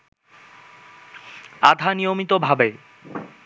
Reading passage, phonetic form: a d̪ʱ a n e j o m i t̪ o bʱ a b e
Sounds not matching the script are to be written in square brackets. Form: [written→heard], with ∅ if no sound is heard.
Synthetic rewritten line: a d̪ʱ a n [e→i] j o m i t̪ o bʱ a b e